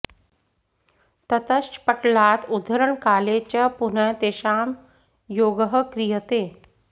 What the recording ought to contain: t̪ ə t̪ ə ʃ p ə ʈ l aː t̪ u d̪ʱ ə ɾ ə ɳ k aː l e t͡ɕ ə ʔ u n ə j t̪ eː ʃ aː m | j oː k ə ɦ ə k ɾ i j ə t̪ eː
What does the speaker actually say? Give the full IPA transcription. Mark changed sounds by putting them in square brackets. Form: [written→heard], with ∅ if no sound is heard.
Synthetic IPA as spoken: t̪ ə t̪ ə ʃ p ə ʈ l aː t̪ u d̪ʱ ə ɾ ə ɳ k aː l e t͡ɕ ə [ʔ→p] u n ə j t̪ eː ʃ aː m | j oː [k→ɡ] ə ɦ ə k ɾ i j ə t̪ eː